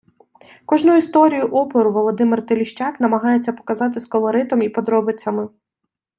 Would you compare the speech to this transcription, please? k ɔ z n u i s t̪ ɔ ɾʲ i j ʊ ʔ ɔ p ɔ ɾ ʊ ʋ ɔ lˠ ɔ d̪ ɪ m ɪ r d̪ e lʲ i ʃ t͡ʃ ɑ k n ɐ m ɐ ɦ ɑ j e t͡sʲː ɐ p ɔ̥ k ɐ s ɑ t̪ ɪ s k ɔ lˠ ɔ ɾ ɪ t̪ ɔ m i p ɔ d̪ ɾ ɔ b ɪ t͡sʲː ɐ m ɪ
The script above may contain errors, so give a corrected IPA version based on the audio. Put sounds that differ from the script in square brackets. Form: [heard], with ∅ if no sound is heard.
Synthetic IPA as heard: k ɔ [ʒ] n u i s t̪ ɔ ɾʲ i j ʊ ʔ ɔ p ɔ ɾ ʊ ʋ ɔ lˠ ɔ d̪ ɪ m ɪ r [t̪] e lʲ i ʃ t͡ʃ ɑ k n ɐ m ɐ ɦ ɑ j e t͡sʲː ɐ p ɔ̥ k ɐ [z] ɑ t̪ ɪ s k ɔ lˠ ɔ ɾ ɪ t̪ ɔ m i p ɔ d̪ ɾ ɔ b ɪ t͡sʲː ɐ m ɪ